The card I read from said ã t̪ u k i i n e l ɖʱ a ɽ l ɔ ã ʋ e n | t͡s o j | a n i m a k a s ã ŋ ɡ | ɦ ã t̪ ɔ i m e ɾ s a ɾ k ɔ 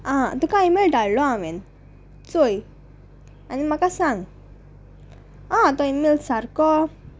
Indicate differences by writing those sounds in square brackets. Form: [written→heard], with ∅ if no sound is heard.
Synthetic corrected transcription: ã t̪ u k [i→a] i [n→m] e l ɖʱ a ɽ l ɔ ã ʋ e n | t͡s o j | a n i m a k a s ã ŋ ɡ | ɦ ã t̪ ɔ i m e [ɾ→l] s a ɾ k ɔ